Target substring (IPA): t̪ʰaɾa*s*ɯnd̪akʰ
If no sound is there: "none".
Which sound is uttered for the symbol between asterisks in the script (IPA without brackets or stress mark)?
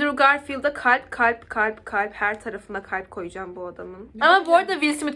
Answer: f